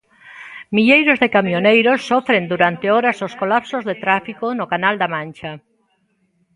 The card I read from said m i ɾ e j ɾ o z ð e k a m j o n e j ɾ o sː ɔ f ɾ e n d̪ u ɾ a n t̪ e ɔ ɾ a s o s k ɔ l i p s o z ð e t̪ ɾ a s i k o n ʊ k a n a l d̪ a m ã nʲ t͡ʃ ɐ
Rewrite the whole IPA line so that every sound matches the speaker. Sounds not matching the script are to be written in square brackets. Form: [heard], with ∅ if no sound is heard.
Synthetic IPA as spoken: m i [ʎ] e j ɾ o z ð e k a m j o n e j ɾ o sː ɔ f ɾ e n d̪ u ɾ a n t̪ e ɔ ɾ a s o s k [o] l [a] p s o z ð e t̪ ɾ a [f] i k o n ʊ k a n a l d̪ a m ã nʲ t͡ʃ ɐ